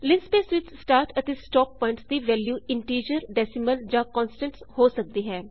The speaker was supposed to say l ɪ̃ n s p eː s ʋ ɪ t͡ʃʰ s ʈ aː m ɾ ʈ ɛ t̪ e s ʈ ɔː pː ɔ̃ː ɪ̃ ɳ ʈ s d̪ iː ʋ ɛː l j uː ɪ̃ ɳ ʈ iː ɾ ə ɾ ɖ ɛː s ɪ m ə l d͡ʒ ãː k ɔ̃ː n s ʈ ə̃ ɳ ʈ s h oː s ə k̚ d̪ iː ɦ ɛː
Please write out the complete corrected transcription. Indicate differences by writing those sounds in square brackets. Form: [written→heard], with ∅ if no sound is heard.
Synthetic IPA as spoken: l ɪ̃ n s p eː s ʋ ɪ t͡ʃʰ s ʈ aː [m→∅] ɾ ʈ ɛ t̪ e s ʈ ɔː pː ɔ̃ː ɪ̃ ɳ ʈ s d̪ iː ʋ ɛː l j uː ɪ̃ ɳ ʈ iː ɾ ə ɾ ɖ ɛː s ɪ m ə l d͡ʒ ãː k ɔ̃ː n s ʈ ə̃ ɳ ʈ s h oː s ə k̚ d̪ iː ɦ ɛː